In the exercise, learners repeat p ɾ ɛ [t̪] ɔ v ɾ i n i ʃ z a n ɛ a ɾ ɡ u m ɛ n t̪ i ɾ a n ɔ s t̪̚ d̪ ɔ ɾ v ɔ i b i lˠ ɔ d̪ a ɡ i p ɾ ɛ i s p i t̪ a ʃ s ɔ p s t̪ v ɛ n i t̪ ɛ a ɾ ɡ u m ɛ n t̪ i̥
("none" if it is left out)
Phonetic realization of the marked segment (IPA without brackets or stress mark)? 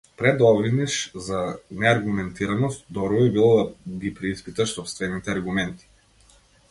d̪